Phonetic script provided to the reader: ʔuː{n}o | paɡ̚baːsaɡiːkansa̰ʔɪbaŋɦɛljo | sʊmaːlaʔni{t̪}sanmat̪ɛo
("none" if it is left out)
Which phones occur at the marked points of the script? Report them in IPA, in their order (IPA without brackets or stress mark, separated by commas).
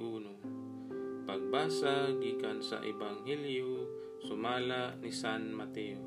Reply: n, none